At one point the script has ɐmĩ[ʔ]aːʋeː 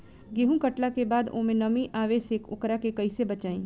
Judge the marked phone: correct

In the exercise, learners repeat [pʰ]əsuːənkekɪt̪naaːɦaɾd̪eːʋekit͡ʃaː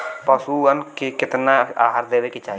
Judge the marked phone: incorrect: p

